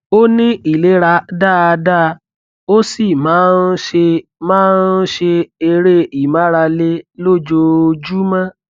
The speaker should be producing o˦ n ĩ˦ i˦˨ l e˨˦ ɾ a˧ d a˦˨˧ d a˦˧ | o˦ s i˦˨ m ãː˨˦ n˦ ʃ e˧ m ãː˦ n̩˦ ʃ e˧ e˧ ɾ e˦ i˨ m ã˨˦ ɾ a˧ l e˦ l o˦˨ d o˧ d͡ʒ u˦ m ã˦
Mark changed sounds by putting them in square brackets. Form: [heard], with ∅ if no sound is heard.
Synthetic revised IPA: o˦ n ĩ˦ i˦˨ l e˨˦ ɾ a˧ d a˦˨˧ d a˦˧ | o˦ s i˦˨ m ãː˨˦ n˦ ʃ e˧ m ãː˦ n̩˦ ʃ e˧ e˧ ɾ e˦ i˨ m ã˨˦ ɾ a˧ l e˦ l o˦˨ [d͡ʒ] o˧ d͡ʒ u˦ m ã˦